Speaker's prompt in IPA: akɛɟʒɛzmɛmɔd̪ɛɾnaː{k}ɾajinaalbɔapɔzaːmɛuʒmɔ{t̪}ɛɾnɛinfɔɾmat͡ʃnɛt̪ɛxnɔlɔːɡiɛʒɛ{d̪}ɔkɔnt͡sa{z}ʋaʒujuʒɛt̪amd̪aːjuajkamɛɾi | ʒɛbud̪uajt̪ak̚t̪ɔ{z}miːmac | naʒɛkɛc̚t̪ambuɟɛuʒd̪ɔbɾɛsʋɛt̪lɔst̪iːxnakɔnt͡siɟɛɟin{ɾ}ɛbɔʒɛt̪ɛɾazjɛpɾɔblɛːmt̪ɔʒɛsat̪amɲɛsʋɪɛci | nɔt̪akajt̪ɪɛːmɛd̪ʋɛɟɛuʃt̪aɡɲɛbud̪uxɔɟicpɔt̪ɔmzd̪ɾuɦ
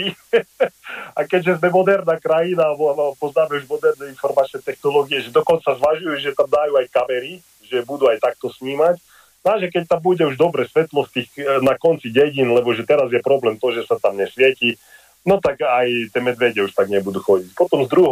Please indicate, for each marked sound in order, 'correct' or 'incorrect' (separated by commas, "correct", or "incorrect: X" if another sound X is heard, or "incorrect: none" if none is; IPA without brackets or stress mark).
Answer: correct, incorrect: d̪, correct, correct, incorrect: s, incorrect: l